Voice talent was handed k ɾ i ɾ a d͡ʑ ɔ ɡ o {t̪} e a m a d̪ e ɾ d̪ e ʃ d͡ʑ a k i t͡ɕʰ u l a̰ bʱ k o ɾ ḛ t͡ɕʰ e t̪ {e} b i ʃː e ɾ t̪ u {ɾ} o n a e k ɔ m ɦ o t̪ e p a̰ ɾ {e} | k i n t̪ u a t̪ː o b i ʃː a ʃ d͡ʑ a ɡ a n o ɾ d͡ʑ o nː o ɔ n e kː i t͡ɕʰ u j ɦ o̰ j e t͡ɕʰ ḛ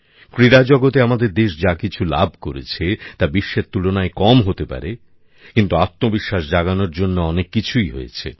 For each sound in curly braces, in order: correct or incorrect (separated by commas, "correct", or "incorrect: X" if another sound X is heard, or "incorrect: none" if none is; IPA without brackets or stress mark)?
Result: correct, incorrect: a, incorrect: l, correct